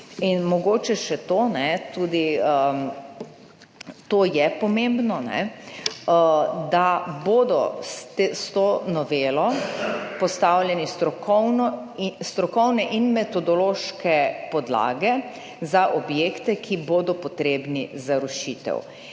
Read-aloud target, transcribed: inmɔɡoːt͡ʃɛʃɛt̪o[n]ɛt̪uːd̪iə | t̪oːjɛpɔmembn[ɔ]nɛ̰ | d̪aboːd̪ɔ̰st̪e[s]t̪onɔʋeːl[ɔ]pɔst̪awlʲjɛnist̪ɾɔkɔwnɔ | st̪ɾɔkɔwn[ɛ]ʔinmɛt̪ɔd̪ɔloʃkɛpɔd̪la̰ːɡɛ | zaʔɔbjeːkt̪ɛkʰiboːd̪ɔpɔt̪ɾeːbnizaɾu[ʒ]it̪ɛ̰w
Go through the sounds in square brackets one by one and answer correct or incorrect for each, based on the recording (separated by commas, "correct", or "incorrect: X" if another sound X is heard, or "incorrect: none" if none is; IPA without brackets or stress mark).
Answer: correct, correct, correct, correct, correct, incorrect: ʃ